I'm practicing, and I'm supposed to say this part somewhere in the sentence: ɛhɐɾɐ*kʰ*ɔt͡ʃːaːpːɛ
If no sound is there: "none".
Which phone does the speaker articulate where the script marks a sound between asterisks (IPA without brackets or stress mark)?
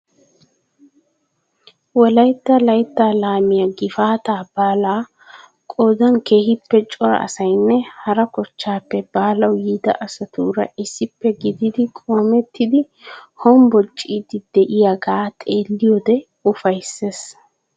k